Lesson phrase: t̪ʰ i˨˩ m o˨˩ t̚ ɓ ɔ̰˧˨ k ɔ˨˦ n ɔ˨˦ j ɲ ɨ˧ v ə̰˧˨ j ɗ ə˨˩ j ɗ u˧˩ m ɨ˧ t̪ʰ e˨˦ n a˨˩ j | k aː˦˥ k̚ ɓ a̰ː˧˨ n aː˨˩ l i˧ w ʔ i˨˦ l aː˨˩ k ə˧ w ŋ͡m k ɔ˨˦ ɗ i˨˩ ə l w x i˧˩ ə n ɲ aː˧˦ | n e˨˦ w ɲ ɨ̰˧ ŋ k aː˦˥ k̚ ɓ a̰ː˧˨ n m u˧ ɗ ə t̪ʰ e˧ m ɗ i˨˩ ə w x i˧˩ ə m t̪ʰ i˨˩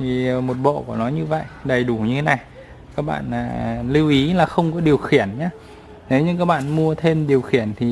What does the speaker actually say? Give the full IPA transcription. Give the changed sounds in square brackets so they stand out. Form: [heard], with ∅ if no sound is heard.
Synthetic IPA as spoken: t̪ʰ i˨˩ m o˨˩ t̚ ɓ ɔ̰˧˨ k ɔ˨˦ n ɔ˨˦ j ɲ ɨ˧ v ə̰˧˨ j ɗ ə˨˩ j ɗ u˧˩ [ɲ] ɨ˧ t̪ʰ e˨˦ n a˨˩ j | k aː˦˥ k̚ ɓ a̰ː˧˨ n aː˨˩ l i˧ w ʔ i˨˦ l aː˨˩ [x] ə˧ w ŋ͡m k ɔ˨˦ ɗ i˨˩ ə [∅] w x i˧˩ ə n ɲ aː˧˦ | n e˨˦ w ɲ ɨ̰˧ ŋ k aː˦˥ k̚ ɓ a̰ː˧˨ n m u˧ [∅] ə t̪ʰ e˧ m ɗ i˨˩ ə w x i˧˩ ə [n] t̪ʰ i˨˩

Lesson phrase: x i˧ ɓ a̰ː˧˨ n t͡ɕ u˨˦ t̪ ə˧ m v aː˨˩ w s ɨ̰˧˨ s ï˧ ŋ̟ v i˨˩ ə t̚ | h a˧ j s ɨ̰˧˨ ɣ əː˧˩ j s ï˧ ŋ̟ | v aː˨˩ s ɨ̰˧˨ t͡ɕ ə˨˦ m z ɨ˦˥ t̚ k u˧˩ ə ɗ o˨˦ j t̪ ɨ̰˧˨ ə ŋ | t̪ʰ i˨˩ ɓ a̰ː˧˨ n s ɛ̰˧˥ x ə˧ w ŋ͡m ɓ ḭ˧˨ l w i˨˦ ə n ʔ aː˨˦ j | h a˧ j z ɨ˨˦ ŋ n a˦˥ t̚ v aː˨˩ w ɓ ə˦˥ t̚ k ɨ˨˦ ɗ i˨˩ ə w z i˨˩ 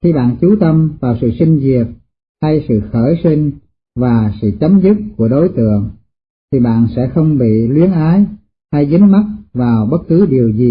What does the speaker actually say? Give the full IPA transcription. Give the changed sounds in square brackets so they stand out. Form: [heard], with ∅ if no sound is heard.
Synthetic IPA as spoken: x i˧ ɓ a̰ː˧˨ n t͡ɕ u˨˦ t̪ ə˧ m v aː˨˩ w s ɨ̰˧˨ s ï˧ ŋ̟ [z] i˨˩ ə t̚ | h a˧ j s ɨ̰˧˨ [x] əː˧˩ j s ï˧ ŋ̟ | v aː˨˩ s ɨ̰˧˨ t͡ɕ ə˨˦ m z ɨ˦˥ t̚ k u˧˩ ə ɗ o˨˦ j t̪ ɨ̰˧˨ ə ŋ | t̪ʰ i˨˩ ɓ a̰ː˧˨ n s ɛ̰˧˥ x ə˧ w ŋ͡m ɓ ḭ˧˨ l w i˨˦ ə n ʔ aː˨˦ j | h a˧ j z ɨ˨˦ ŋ [m] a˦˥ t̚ v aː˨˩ w ɓ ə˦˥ t̚ k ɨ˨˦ ɗ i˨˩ ə w z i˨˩

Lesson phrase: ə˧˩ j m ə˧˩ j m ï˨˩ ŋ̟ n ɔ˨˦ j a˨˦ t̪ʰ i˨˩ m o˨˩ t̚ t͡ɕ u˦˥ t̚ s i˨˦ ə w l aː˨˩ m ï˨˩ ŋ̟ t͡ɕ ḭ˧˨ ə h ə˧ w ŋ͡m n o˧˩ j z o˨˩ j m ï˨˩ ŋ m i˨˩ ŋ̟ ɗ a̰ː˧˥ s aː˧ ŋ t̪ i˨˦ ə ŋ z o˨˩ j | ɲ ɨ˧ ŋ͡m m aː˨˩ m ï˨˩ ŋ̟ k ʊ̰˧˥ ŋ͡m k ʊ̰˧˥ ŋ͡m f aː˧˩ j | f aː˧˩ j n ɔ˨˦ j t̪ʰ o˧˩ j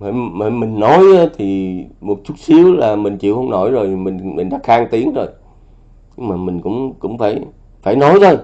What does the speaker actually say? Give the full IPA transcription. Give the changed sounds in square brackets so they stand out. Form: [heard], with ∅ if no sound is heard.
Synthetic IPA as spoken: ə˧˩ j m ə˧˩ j m ï˨˩ ŋ̟ n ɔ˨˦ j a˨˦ t̪ʰ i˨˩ m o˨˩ t̚ t͡ɕ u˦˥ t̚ s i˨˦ ə w l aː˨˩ m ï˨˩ ŋ̟ t͡ɕ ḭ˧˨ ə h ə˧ w ŋ͡m n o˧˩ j z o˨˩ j m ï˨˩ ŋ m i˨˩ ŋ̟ ɗ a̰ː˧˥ [x] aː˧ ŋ t̪ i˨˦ ə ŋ z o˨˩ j | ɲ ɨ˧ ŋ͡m m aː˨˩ m ï˨˩ ŋ̟ k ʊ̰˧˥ ŋ͡m k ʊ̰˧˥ ŋ͡m f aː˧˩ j | f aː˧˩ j n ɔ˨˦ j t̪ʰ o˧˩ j

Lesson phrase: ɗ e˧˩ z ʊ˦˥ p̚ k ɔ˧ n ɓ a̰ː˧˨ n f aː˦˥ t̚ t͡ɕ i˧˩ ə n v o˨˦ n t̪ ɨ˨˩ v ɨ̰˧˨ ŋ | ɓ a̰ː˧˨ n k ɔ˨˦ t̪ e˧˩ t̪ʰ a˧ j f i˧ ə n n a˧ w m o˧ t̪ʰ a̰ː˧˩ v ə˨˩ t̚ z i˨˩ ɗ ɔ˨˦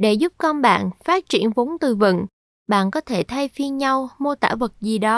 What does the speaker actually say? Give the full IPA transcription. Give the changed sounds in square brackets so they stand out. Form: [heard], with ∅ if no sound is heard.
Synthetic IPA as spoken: ɗ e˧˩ z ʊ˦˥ p̚ k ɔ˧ n ɓ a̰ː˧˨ n f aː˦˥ t̚ t͡ɕ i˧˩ ə n v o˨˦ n t̪ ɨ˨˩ v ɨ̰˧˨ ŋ | ɓ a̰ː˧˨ n k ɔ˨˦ [t̪ʰ] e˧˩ t̪ʰ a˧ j f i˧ ə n [ɲ] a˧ w m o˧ [t̪] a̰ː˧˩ v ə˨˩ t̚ z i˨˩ ɗ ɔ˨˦

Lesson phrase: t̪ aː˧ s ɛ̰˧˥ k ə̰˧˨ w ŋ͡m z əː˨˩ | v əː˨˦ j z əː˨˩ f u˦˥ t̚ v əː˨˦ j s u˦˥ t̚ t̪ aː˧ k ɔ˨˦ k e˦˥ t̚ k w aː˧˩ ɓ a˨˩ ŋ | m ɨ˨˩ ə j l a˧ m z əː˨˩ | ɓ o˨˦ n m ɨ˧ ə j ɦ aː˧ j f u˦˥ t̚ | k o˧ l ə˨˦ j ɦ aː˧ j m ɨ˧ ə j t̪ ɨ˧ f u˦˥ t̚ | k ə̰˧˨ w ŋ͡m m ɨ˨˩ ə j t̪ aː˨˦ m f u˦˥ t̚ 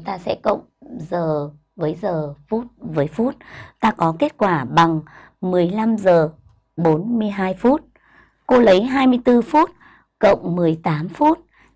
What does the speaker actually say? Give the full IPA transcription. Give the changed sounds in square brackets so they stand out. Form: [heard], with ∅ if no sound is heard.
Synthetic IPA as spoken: t̪ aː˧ s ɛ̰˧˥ k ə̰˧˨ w ŋ͡m z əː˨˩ | v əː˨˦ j z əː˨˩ f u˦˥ t̚ v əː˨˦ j [f] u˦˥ t̚ t̪ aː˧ k ɔ˨˦ k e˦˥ t̚ k w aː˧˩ ɓ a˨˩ ŋ | m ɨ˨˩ ə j l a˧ m z əː˨˩ | ɓ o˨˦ n m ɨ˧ ə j ɦ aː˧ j f u˦˥ t̚ | k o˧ l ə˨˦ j ɦ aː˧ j m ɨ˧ ə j t̪ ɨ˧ f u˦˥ t̚ | k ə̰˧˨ w ŋ͡m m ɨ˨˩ ə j t̪ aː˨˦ m f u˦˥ t̚

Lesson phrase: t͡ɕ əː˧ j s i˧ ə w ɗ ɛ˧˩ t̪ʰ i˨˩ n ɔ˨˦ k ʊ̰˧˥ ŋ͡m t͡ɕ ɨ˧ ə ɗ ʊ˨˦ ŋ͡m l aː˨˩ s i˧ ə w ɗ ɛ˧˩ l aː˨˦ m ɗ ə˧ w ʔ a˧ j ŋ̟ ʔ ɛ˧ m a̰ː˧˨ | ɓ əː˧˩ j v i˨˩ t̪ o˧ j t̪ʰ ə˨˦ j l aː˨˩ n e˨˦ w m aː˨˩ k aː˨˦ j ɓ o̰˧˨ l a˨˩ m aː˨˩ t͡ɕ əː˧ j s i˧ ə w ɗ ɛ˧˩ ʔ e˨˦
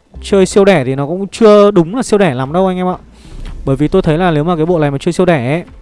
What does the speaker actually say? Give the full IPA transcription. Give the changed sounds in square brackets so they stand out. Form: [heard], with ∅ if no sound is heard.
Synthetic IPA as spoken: t͡ɕ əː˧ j s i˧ ə w ɗ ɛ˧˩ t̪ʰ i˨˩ n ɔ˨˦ k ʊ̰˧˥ ŋ͡m t͡ɕ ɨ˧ ə ɗ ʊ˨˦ ŋ͡m l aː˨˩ s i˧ ə w ɗ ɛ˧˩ l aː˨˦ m ɗ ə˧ w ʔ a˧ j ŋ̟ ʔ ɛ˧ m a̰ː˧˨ | ɓ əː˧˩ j v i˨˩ t̪ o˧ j t̪ʰ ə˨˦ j l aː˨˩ n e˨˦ w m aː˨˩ k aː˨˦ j ɓ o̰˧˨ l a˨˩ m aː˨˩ t͡ɕ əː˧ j s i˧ ə w ɗ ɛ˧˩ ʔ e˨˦

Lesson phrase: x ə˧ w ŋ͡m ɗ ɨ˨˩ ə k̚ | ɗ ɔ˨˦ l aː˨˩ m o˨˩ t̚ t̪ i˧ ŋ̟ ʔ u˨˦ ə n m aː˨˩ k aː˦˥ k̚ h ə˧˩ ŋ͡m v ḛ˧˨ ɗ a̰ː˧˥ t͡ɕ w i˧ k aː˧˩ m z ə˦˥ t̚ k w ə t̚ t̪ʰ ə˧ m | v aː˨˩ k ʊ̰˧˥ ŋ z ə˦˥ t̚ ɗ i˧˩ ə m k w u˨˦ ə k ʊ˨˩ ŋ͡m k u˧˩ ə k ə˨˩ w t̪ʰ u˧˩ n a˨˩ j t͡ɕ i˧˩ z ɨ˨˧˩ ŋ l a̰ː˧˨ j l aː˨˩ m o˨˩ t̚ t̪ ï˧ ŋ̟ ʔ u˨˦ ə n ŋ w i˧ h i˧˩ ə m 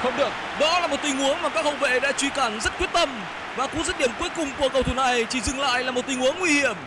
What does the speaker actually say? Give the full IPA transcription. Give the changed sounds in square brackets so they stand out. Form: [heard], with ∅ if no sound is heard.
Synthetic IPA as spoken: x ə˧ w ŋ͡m ɗ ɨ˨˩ ə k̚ | ɗ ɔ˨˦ l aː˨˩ m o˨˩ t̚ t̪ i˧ ŋ̟ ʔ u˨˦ ə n m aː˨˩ k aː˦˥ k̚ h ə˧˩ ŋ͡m v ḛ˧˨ ɗ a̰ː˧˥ t͡ɕ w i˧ k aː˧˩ [n] z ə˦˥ t̚ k w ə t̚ [t̪] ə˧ m | v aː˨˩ k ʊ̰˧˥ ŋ z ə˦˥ t̚ ɗ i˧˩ ə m k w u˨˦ ə k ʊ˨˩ ŋ͡m k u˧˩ ə k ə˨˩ w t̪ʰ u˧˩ n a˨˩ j t͡ɕ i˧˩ z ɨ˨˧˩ ŋ l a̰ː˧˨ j l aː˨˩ m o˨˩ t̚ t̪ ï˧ ŋ̟ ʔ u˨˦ ə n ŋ w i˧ h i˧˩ ə m

